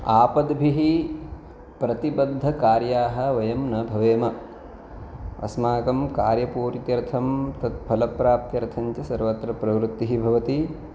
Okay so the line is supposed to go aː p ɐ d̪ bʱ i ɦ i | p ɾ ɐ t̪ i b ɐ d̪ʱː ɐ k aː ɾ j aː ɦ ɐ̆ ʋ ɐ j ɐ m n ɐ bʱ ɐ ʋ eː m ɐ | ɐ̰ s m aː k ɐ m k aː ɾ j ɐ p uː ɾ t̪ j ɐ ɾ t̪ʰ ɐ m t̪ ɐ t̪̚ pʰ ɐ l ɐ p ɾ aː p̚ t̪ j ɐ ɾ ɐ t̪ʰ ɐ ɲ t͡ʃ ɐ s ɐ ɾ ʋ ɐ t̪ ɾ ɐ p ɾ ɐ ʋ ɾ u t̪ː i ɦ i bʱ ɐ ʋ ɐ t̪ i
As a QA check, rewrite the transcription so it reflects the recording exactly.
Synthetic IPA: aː p ɐ d̪ bʱ i ɦ i | p ɾ ɐ t̪ i b ɐ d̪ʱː ɐ k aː ɾ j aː ɦ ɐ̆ ʋ ɐ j ɐ m n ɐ bʱ ɐ ʋ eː m ɐ | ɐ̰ s m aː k ɐ m k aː ɾ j ɐ p uː ɾ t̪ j ɐ ɾ t̪ʰ ɐ m t̪ ɐ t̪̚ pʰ ɐ l ɐ p ɾ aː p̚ t̪ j ɐ ɾ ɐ t̪ʰ ɐ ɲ t͡ʃ ɐ s ɐ ɾ ʋ ɐ t̪ ɾ ɐ p ɾ ɐ ʋ ɾ u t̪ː i ɦ i bʱ ɐ ʋ ɐ t̪ i

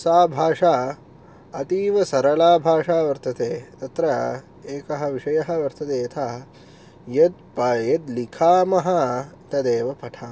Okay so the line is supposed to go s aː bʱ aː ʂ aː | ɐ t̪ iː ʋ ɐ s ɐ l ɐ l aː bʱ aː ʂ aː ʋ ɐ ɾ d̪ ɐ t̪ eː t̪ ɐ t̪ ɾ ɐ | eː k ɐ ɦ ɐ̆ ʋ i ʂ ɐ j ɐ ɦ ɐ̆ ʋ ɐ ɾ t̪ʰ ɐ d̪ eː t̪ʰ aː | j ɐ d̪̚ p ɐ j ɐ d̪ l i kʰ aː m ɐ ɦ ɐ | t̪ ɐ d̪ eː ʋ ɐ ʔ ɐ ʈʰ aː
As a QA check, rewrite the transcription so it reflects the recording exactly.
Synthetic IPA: s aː bʱ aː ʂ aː | ɐ t̪ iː ʋ ɐ s ɐ ɾ ɐ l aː bʱ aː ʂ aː ʋ ɐ ɾ t̪ ɐ t̪ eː t̪ ɐ t̪ ɾ ɐ | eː k ɐ ɦ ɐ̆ ʋ i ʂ ɐ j ɐ ɦ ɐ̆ ʋ ɐ ɾ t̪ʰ ɐ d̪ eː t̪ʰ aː | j ɐ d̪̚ p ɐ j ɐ d̪ l i kʰ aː m ɐ ɦ ɐ | t̪ ɐ d̪ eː ʋ ɐ p ɐ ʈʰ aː

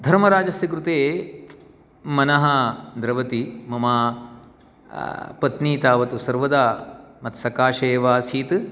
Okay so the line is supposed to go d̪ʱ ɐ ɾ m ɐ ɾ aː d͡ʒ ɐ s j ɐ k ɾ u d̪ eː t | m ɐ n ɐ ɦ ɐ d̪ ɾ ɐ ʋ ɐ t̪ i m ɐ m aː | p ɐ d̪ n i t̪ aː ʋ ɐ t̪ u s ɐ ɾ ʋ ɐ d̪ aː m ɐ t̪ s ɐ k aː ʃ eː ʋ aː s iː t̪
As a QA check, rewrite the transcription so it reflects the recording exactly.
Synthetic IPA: d̪ʱ ɐ ɾ m ɐ ɾ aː d͡ʒ ɐ s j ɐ k ɾ u t̪ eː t | m ɐ n ɐ ɦ ɐ d̪ ɾ ɐ ʋ ɐ t̪ i m ɐ m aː | p ɐ t̪ n iː t̪ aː ʋ ɐ t̪ u s ɐ ɾ ʋ ɐ d̪ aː m ɐ t̪ s ɐ k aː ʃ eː ʋ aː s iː t̪

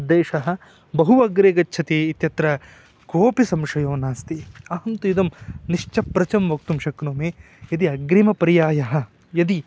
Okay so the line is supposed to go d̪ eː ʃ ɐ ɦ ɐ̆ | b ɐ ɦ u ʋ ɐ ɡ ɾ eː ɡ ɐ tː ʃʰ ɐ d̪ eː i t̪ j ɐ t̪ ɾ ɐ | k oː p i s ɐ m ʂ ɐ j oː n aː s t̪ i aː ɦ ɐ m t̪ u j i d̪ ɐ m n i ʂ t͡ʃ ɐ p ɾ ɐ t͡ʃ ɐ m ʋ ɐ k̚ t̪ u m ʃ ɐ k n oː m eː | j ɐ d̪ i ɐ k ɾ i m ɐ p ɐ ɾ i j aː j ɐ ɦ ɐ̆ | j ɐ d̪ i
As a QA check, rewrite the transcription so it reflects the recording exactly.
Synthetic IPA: d̪ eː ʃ ɐ ɦ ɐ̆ | b ɐ ɦ u ʋ ɐ ɡ ɾ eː ɡ ɐ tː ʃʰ ɐ t̪ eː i t̪ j ɐ t̪ ɾ ɐ | k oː p i s ɐ m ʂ ɐ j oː n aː s t̪ i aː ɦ ɐ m t̪ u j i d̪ ɐ m n i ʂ t͡ʃ ɐ p ɾ ɐ t͡ʃ ɐ m ʋ ɐ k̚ t̪ u m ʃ ɐ k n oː m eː | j ɐ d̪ i ɐ ɡ ɾ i m ɐ p ɐ ɾ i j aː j ɐ ɦ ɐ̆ | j ɐ d̪ i

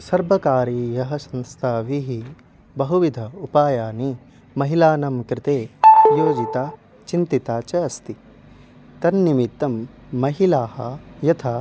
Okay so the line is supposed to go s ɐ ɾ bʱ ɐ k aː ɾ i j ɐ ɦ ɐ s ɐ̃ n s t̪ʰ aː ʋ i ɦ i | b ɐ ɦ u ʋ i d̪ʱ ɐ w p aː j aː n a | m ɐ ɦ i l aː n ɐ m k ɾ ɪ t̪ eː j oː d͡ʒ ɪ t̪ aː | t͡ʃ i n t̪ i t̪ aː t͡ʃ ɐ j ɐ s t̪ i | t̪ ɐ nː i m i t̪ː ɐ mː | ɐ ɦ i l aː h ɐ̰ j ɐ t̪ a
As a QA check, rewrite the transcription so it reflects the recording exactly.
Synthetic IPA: s ɐ ɾ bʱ ɐ k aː ɾ i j ɐ ɦ ɐ s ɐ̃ n s t̪ʰ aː ʋ i ɦ i | b ɐ ɦ u ʋ i d̪ʱ ɐ u p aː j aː n i | m ɐ ɦ i l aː n ɐ m k ɾ ɪ t̪ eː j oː d͡ʒ i t̪ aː | t͡ʃ i n t̪ i t̪ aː t͡ʃ ɐ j ɐ s t̪ i | t̪ ɐ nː i m i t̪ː ɐ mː | ɐ ɦ i l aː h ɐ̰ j ɐ t̪ʰ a

